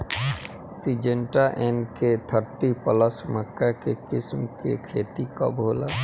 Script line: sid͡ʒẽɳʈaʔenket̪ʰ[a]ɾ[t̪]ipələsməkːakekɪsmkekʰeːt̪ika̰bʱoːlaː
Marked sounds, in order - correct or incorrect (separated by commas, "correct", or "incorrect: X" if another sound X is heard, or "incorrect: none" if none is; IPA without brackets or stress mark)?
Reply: incorrect: ə, correct